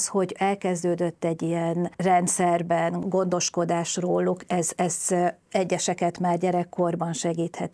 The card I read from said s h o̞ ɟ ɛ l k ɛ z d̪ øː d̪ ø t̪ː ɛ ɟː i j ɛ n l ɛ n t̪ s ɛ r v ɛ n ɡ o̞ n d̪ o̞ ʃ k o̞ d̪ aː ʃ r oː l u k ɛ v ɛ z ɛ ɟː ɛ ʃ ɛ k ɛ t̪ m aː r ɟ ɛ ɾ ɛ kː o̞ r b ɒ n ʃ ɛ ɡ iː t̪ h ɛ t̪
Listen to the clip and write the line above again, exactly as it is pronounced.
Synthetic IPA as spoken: s h o̞ ɟ ɛ l k ɛ z d̪ øː d̪ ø t̪ː ɛ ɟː i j ɛ n r ɛ n t̪ s ɛ r b ɛ n ɡ o̞ n d̪ o̞ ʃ k o̞ d̪ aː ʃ r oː l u k ɛ z ɛ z ɛ ɟː ɛ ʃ ɛ k ɛ t̪ m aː r ɟ ɛ ɾ ɛ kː o̞ r b ɒ n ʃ ɛ ɡ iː t̪ h ɛ t̪